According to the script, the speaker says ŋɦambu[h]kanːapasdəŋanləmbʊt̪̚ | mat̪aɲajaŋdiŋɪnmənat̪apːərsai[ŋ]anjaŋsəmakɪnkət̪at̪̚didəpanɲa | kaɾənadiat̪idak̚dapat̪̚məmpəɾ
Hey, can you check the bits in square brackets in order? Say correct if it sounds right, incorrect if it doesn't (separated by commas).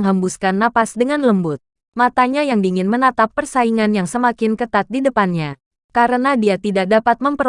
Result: incorrect, correct